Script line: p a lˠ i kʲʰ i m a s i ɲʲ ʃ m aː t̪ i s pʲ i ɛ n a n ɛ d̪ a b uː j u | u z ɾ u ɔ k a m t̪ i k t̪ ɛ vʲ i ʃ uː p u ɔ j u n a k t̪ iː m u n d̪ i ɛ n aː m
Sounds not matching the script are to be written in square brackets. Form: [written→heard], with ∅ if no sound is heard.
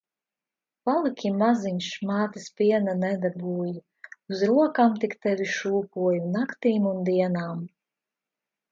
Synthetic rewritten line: p a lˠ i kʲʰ i m a [s→z] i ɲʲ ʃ m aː t̪ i s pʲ i ɛ n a n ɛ d̪ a b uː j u | u z ɾ u ɔ k a m t̪ i k t̪ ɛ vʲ i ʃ uː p u ɔ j u n a k t̪ iː m u n d̪ i ɛ n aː m